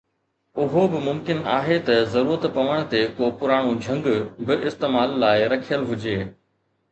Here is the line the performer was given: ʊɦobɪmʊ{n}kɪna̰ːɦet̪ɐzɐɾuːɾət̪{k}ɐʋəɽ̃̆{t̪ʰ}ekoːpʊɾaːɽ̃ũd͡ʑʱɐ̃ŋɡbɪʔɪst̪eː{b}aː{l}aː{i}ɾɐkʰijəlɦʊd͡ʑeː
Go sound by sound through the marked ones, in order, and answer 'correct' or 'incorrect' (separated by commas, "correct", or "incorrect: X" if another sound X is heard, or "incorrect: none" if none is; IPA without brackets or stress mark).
incorrect: m, incorrect: p, incorrect: t̪, incorrect: m, incorrect: lː, incorrect: ɪ